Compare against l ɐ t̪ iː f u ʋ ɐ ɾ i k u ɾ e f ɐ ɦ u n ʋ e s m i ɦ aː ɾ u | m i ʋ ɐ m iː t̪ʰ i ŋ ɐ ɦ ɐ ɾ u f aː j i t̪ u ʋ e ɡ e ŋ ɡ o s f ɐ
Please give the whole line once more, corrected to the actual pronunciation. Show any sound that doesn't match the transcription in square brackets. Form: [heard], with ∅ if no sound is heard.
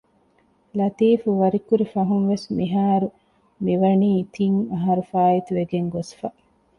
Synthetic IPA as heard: l ɐ t̪ iː f u ʋ ɐ ɾ i k u ɾ [i] f ɐ ɦ u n ʋ e s m i ɦ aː ɾ u | m i ʋ ɐ [n] iː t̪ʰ i ŋ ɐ ɦ ɐ ɾ u f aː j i t̪ u ʋ e ɡ e ŋ ɡ o s f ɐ